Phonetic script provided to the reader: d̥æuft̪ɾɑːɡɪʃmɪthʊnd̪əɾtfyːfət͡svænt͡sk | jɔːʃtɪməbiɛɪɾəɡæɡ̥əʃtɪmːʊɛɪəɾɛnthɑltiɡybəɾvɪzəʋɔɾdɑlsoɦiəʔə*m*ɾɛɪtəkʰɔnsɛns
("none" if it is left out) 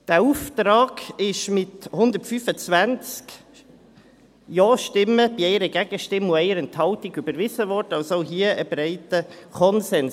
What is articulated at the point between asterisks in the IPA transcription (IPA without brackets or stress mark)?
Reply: b